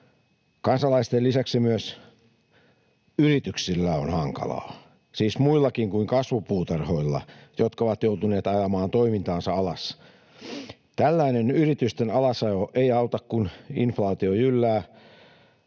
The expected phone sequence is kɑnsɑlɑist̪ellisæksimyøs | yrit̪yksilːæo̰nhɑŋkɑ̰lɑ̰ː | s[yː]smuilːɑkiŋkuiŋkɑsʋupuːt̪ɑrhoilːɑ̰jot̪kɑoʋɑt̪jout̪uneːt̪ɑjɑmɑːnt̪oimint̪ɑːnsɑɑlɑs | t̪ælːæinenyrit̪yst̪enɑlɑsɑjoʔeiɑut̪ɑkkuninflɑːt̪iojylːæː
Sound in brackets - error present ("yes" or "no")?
yes